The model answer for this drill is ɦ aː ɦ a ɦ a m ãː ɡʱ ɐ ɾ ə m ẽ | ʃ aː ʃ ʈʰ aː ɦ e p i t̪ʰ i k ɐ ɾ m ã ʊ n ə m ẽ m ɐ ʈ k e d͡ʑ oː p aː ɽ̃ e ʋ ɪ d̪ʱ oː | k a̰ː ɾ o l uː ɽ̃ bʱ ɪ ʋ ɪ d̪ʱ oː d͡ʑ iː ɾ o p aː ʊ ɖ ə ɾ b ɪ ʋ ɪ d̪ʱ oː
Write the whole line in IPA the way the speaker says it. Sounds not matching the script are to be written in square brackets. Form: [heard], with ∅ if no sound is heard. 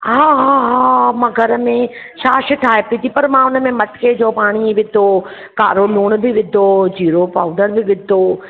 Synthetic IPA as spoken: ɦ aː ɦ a ɦ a m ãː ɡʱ ɐ ɾ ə m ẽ | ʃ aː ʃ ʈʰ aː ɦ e p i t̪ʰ i [p] ɐ ɾ m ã ʊ n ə m ẽ m ɐ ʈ k e d͡ʑ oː p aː ɽ̃ [i] ʋ ɪ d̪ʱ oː | k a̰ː ɾ o l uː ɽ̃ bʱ ɪ ʋ ɪ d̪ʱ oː d͡ʑ iː ɾ o p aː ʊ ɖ ə ɾ b ɪ ʋ ɪ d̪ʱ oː

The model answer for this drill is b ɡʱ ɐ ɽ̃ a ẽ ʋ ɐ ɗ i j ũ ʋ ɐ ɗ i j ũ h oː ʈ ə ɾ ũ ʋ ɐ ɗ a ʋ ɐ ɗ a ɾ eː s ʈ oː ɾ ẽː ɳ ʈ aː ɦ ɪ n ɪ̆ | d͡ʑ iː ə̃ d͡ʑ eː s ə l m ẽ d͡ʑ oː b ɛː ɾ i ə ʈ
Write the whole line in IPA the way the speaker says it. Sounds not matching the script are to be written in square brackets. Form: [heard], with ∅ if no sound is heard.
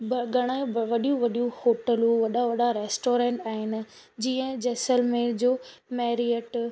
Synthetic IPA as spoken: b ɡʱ ɐ ɽ̃ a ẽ ʋ ɐ ɗ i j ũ ʋ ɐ ɗ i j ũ h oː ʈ ə [l] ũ ʋ ɐ ɗ a ʋ ɐ ɗ a ɾ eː s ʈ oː ɾ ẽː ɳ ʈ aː ɦ ɪ n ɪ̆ | d͡ʑ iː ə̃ d͡ʑ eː s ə l m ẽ d͡ʑ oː [m] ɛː ɾ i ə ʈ

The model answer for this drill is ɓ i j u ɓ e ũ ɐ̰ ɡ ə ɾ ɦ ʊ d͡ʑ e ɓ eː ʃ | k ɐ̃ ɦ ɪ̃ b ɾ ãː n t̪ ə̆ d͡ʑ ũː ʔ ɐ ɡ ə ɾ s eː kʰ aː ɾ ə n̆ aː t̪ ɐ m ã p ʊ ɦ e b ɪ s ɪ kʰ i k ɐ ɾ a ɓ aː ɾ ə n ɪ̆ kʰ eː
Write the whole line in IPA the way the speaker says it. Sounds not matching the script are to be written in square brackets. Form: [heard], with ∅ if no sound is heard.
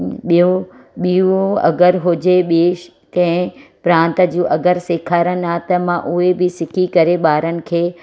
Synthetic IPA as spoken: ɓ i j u ɓ [i] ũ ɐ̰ ɡ ə ɾ ɦ ʊ d͡ʑ e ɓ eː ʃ | k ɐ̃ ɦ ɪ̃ [p] ɾ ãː n t̪ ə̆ d͡ʑ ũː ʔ ɐ ɡ ə ɾ s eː kʰ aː ɾ ə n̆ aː t̪ ɐ m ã [ʔ] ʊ ɦ e b ɪ s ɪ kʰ i k ɐ ɾ [e] ɓ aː ɾ ə n ɪ̆ kʰ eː

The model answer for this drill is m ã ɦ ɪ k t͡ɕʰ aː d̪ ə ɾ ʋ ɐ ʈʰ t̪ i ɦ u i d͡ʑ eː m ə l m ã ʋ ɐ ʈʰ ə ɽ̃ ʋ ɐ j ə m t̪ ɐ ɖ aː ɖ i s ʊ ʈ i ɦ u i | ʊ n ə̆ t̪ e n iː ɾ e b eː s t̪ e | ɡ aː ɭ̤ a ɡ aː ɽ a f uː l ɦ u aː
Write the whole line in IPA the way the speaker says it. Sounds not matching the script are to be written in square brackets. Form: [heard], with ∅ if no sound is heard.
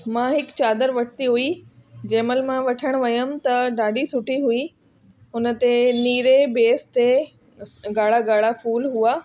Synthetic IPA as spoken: m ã ɦ ɪ k [t͡ɕ] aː d̪ ə ɾ ʋ ɐ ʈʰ t̪ i ɦ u i d͡ʑ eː m ə l m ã ʋ ɐ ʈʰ ə ɽ̃ ʋ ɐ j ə m t̪ ɐ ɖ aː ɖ i s ʊ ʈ i ɦ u i | ʊ n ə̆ t̪ e n iː ɾ e b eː s t̪ e | ɡ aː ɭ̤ a ɡ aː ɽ a f uː l ɦ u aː

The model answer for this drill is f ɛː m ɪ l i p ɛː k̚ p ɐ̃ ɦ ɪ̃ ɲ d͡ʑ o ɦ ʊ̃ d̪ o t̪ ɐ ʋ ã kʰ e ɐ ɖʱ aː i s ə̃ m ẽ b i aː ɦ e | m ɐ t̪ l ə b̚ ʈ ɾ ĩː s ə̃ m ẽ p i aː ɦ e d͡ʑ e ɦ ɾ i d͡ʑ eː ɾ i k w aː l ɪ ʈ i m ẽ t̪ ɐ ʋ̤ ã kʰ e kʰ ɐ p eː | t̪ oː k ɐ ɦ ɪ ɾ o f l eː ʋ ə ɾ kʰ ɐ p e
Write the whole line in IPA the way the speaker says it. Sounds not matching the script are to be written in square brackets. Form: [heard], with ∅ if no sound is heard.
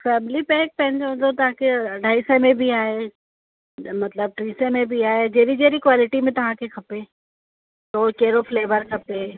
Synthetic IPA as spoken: f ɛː m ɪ l i p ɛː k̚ p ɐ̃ ɦ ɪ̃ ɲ d͡ʑ o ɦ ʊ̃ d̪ o t̪ ɐ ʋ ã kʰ e ɐ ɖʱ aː i s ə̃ m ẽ b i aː ɦ e | m ɐ t̪ l ə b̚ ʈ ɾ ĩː s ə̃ m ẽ [b] i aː ɦ e d͡ʑ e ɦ ɾ i d͡ʑ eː ɾ i k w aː l ɪ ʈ i m ẽ t̪ ɐ ʋ̤ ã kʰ e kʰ ɐ p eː | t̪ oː k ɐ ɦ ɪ ɾ o f l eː ʋ ə ɾ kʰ ɐ p e

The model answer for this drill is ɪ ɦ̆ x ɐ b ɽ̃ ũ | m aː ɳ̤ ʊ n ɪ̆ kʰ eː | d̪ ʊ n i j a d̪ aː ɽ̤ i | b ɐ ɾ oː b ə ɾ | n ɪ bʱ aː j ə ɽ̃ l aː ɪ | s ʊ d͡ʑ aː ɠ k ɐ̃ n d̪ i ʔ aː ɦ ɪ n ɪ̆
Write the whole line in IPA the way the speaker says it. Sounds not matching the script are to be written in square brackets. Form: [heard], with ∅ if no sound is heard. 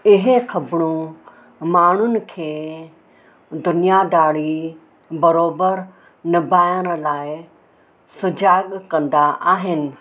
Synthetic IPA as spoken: ɪ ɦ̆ x ɐ b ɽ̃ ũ | m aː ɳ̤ ʊ n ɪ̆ kʰ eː | d̪ ʊ n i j a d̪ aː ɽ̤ i | b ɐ ɾ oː b ə ɾ | n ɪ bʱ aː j ə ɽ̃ l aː ɪ | s ʊ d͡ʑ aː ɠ k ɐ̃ n d̪ [a] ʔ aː ɦ ɪ n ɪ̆

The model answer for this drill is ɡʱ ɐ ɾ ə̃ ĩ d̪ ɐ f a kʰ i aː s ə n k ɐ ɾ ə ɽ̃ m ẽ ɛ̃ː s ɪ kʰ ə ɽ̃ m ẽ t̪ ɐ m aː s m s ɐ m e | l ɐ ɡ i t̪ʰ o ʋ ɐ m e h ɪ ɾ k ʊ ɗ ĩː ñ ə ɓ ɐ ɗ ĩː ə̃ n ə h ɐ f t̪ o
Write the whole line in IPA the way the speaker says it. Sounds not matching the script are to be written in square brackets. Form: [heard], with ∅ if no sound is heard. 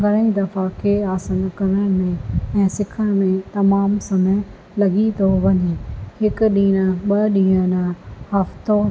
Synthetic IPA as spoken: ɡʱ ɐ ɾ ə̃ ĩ d̪ ɐ f a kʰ [e] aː s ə n k ɐ ɾ ə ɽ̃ m ẽ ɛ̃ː s ɪ kʰ ə ɽ̃ m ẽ t̪ ɐ m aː [∅] m s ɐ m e | l ɐ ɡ i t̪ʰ o ʋ ɐ [ɲ] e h ɪ [∅] k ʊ ɗ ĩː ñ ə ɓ ɐ ɗ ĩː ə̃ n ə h ɐ f t̪ o

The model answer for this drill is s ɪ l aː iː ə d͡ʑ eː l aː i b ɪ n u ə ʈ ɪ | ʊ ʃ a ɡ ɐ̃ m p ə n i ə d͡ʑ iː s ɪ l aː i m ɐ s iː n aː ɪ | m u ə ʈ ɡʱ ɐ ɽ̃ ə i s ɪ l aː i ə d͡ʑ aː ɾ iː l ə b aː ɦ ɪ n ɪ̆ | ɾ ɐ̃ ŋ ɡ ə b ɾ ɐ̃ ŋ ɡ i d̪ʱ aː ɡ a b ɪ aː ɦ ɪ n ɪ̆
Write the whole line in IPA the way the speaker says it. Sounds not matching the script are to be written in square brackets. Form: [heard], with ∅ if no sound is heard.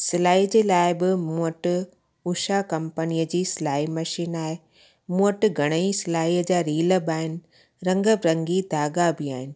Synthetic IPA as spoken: s ɪ l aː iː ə d͡ʑ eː l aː [ɪ] b ɪ [m] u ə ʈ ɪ | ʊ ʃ a [k] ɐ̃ m p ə n i ə d͡ʑ iː s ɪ l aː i m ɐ [ʃ] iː n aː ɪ | m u ə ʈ ɡʱ ɐ ɽ̃ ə i s ɪ l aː i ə d͡ʑ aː ɾ iː l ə b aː ɦ ɪ n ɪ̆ | ɾ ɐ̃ ŋ ɡ ə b ɾ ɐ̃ ŋ ɡ i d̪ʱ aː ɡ a b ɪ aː ɦ ɪ n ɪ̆

